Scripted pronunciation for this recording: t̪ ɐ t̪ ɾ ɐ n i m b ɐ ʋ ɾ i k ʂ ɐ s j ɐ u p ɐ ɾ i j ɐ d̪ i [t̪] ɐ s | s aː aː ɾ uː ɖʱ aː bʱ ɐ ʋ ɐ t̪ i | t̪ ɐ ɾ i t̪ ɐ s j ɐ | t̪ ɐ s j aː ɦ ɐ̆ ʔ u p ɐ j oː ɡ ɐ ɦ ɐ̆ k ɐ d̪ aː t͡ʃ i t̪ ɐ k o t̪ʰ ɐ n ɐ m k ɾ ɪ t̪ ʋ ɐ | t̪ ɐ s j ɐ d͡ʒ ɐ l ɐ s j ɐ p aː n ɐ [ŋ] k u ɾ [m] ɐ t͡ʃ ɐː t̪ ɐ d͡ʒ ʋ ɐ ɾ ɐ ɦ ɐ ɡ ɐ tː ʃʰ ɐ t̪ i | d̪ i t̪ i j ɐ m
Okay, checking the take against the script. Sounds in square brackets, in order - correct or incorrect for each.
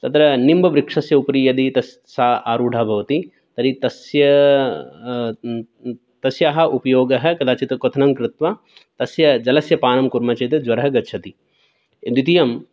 correct, incorrect: m, correct

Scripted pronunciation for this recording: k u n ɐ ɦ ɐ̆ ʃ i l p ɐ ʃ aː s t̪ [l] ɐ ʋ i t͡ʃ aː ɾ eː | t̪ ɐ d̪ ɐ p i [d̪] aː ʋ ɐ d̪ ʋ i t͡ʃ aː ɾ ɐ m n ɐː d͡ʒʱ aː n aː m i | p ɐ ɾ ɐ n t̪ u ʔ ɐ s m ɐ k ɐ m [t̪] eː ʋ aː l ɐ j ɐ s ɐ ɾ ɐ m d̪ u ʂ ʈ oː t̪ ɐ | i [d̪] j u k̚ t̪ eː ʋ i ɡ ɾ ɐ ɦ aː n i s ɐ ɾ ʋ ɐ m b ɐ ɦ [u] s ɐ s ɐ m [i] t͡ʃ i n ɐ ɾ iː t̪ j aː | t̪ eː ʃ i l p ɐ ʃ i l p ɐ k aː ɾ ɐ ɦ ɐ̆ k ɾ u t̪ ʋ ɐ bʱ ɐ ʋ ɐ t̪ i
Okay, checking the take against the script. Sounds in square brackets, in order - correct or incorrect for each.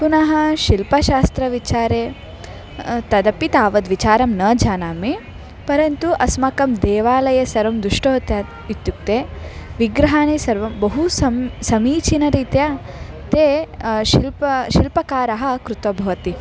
incorrect: ɾ, incorrect: t̪, incorrect: d̪, incorrect: t̪, correct, incorrect: iː

